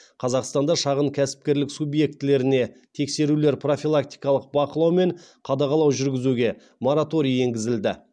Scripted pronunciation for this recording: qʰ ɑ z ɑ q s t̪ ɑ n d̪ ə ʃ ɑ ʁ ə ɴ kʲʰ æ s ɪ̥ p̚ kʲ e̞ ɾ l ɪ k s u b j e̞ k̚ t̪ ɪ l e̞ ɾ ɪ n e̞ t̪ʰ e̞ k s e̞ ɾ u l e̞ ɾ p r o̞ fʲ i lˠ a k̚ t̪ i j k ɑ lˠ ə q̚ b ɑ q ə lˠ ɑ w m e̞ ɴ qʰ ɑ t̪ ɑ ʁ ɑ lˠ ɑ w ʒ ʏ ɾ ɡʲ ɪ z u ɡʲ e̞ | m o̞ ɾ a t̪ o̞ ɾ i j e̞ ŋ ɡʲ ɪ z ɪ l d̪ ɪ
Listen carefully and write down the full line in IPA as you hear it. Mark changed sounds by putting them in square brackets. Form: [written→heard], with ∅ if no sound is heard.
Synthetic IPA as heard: qʰ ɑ z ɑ q s t̪ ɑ n d̪ [ə→ɑ] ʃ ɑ ʁ ə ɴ kʲʰ æ s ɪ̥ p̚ kʲ e̞ ɾ l ɪ k s u b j e̞ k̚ t̪ ɪ l e̞ ɾ ɪ n e̞ t̪ʰ e̞ k s e̞ ɾ u l e̞ ɾ p r o̞ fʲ i lˠ a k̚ t̪ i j k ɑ lˠ ə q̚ b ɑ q ə lˠ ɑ w m e̞ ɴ qʰ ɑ [t̪→d̪] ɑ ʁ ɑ lˠ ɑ w ʒ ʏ ɾ ɡʲ ɪ z u ɡʲ e̞ | m o̞ ɾ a t̪ o̞ ɾ i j e̞ ŋ ɡʲ ɪ z ɪ l d̪ ɪ

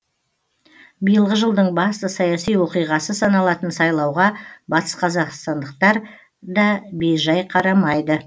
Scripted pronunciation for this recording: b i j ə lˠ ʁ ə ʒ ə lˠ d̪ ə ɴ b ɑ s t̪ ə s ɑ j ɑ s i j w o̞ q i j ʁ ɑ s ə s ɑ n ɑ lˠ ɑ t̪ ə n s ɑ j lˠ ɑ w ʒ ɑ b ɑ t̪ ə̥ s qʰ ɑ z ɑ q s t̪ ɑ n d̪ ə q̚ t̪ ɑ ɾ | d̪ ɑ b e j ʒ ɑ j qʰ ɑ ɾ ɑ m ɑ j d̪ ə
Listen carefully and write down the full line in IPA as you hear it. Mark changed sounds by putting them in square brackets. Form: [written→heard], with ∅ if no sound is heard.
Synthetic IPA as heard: b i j ə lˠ ʁ ə ʒ ə lˠ d̪ ə ɴ b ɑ s t̪ ə s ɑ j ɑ s i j w o̞ q i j ʁ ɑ s ə s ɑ n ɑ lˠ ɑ t̪ ə n s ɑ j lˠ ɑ w [ʒ→ʁ] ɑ b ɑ t̪ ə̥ s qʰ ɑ z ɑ q s t̪ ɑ n d̪ ə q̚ t̪ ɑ ɾ | d̪ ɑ b e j ʒ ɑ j qʰ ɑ ɾ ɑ m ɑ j d̪ ə

